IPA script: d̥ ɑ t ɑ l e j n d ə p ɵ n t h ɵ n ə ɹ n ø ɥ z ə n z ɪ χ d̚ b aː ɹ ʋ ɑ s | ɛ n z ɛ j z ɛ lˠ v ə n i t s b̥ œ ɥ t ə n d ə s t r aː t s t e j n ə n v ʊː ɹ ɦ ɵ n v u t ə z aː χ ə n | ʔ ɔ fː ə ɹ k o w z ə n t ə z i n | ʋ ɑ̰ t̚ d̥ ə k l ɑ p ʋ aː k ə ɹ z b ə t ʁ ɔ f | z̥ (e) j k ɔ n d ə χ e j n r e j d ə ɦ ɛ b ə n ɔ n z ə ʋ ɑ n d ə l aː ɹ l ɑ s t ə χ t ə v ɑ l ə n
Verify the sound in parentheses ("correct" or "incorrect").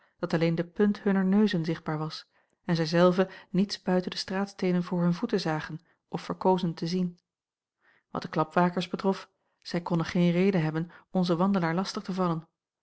incorrect